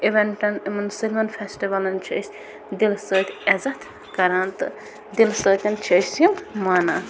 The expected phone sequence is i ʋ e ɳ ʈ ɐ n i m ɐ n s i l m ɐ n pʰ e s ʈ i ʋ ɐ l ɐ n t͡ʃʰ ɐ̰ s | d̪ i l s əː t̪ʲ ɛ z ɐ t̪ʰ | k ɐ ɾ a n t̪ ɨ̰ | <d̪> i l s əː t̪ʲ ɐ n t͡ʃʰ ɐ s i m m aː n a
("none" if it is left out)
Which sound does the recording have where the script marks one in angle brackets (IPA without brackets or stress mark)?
d̪